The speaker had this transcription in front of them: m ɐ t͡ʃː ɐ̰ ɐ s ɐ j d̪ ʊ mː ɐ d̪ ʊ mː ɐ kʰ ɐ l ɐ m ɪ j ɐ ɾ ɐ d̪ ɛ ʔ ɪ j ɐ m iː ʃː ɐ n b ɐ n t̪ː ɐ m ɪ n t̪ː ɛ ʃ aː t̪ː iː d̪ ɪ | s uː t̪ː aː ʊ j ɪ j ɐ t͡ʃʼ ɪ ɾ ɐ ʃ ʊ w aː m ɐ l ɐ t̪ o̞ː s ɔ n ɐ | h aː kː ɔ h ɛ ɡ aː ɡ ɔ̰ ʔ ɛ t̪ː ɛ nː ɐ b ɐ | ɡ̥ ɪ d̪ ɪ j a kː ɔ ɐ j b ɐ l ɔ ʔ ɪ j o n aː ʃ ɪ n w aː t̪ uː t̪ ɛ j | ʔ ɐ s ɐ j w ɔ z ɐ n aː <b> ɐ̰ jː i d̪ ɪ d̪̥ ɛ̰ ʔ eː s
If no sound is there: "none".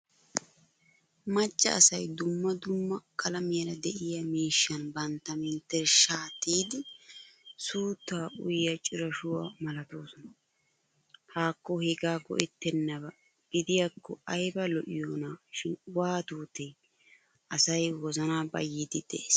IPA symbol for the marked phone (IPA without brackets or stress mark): b